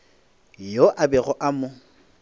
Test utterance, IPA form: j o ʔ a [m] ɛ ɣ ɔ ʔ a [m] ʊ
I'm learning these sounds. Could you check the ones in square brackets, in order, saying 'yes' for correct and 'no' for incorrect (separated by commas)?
no, yes